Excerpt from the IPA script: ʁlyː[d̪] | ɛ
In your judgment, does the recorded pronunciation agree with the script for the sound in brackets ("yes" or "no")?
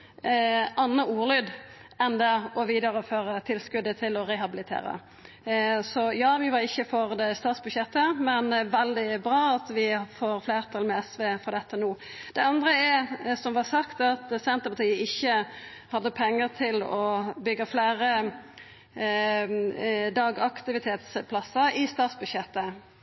yes